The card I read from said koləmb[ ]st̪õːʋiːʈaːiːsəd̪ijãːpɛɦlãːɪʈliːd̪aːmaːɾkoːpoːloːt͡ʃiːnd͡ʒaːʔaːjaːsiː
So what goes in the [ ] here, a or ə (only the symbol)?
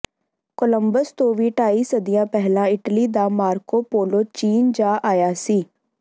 ə